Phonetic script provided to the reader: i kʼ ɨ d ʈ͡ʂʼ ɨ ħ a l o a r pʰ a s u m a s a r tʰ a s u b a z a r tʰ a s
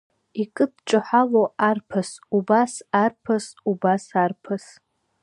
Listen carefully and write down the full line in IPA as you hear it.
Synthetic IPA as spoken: i kʼ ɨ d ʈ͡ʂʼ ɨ ħ a l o a r pʰ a s u b a s a r pʰ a s u b a s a r pʰ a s